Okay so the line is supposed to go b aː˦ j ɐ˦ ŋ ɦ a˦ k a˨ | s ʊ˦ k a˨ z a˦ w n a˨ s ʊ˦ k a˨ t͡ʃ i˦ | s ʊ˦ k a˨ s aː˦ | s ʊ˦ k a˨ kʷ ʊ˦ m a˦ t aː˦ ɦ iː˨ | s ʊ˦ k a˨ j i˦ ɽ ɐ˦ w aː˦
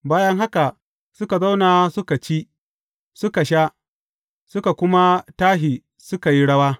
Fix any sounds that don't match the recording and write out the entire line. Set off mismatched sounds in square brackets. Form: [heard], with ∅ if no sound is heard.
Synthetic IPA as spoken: b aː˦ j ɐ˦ ŋ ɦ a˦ k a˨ | s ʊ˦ k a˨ z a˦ w n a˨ s ʊ˦ k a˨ t͡ʃ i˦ | s ʊ˦ k a˨ [ʃ] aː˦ | s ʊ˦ k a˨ kʷ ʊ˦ m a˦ t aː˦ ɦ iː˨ | s ʊ˦ k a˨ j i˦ ɽ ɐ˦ w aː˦